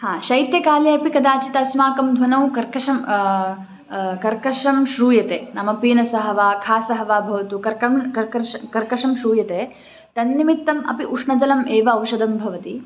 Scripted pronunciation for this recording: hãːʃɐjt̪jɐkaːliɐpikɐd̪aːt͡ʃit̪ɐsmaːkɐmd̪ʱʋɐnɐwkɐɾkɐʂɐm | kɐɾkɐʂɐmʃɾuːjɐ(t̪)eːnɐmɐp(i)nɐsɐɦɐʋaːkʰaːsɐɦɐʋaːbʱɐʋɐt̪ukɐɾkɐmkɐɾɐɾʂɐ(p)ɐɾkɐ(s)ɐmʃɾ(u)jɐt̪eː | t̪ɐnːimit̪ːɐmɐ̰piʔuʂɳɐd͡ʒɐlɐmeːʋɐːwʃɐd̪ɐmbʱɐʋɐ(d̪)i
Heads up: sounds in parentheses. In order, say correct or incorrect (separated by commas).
correct, incorrect, incorrect, incorrect, incorrect, incorrect